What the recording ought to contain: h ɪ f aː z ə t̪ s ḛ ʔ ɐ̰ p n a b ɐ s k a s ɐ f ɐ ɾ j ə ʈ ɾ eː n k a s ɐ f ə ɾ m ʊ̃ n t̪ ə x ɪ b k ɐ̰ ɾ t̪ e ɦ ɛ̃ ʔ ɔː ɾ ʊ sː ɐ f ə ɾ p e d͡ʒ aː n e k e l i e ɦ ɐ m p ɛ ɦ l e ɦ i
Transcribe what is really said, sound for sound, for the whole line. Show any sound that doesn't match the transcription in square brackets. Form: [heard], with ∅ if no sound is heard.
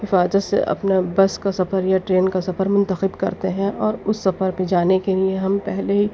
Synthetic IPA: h ɪ f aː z ə t̪ s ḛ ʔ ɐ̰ p n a b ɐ s k a s ɐ f [ə] ɾ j [a] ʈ ɾ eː n k a s ɐ f ə ɾ m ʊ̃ n t̪ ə x ɪ b k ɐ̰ ɾ t̪ e ɦ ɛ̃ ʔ ɔː ɾ ʊ sː ɐ f ə ɾ p e d͡ʒ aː n e k e l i e ɦ ɐ m p ɛ ɦ l e ɦ i

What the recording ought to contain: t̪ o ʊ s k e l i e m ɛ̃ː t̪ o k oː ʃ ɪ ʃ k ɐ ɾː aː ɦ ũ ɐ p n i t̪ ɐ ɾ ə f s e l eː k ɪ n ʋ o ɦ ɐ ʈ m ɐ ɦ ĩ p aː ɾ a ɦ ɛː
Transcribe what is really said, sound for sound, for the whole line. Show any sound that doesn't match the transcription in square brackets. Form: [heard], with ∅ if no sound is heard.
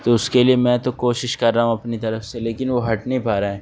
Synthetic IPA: t̪ o ʊ s k e l i e m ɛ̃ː t̪ o k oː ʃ ɪ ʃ k ɐ ɾː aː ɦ ũ ɐ p n i t̪ ɐ ɾ ə f s e l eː k ɪ n ʋ o ɦ ɐ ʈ [n] ɐ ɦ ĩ p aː ɾ a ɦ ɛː

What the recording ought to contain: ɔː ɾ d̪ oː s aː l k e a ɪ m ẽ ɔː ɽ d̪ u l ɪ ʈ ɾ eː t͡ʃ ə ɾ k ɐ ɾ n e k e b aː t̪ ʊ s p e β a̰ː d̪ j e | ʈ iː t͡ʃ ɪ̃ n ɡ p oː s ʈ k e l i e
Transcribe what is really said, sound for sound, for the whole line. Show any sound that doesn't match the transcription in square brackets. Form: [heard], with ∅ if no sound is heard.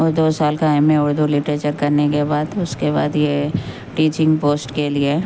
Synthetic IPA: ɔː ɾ d̪ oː s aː l k [a] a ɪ m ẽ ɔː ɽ d̪ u l ɪ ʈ ɾ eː t͡ʃ ə ɾ k ɐ ɾ n e k e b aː [d̪] ʊ s [k] e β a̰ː d̪ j e | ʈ iː t͡ʃ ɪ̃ [ŋ] ɡ p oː s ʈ k e l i e

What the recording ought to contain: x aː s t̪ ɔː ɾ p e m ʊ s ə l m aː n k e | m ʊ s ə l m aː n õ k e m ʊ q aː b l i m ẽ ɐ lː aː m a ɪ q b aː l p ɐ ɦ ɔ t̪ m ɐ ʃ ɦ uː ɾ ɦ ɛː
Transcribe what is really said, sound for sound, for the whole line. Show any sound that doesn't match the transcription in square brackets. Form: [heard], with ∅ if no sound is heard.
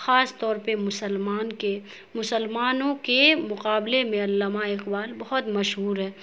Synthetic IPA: x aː s t̪ ɔː ɾ p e m ʊ s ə l m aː n k e | m ʊ s ə l m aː n õ k e m ʊ q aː b l [e] m ẽ ɐ lː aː m a ɪ q b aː l [b] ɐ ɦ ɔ t̪ m ɐ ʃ ɦ uː ɾ ɦ ɛː

